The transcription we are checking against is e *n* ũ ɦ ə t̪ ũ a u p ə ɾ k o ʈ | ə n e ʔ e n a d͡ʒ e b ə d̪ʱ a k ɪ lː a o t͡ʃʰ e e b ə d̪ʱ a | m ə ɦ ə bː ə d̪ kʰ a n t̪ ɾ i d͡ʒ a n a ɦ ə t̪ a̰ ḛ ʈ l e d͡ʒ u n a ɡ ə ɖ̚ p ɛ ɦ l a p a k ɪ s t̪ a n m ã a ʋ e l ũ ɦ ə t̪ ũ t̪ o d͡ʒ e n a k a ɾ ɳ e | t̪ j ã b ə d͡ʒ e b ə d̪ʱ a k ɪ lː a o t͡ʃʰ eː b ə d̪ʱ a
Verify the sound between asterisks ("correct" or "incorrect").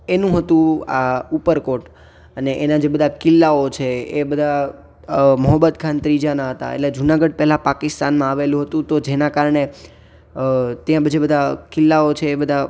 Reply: correct